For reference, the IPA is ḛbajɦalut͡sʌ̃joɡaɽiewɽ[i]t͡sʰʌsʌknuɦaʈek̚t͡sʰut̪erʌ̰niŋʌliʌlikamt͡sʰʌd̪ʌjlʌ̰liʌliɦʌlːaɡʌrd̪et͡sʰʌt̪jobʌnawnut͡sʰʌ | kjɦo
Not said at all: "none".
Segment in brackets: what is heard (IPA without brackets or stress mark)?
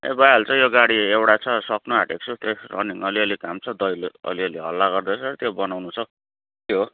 a